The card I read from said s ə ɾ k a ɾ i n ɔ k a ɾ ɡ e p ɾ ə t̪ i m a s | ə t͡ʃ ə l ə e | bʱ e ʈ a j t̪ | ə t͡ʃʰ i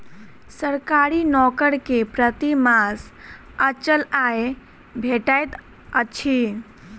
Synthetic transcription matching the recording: s ə ɾ k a ɾ i n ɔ k ə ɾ k e p ɾ ə t̪ i m a s | ə t͡ʃ ə l a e | bʱ e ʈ a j t̪ | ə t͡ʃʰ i